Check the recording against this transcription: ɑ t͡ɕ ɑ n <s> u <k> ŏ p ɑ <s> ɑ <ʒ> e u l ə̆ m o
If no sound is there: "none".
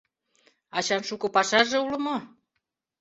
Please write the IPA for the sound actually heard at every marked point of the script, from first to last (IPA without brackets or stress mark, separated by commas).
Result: ʃ, k, ʃ, ʒ